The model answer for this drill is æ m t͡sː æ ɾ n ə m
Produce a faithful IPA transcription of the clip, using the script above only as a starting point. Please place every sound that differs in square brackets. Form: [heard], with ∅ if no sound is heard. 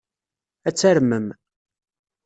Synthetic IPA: æ [∅] t͡sː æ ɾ [m] ə m